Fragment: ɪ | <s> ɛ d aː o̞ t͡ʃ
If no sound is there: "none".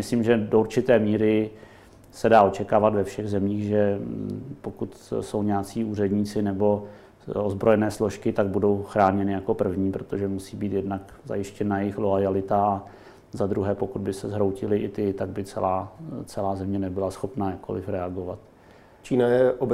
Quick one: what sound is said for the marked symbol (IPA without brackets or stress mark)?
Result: s